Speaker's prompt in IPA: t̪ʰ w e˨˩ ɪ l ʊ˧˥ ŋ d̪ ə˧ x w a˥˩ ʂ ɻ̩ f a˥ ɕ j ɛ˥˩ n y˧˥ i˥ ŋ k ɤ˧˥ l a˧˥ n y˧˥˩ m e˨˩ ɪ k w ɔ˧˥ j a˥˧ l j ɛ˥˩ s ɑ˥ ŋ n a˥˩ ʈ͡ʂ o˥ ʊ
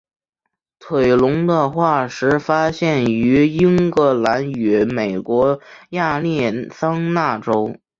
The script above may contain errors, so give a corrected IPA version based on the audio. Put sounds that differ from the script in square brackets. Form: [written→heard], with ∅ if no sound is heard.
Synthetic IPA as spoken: t̪ʰ w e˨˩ ɪ l ʊ˧˥ ŋ d̪ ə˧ x w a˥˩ ʂ ɻ̩ f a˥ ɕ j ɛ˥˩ n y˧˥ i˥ ŋ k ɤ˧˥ l a˧˥ n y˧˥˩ m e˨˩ ɪ k w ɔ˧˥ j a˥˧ l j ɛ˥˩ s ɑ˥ ŋ n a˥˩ ʈ͡ʂ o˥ ʊ